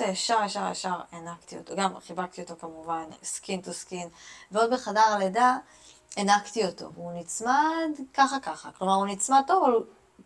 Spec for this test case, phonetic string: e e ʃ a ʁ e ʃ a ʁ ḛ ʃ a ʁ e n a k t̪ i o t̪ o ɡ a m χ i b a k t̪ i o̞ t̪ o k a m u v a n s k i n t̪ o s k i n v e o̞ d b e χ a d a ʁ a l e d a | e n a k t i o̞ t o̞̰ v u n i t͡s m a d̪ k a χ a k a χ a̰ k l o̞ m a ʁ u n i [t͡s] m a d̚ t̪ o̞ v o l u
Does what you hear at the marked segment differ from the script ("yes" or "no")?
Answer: no